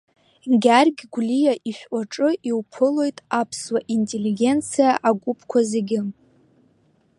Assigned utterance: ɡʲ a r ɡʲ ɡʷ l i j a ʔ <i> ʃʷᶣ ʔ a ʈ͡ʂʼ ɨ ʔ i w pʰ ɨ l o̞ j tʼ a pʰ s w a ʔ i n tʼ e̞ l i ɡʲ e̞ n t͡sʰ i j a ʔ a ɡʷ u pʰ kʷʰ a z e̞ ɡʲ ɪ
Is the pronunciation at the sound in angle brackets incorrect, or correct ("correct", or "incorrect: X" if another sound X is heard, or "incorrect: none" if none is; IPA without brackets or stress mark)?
correct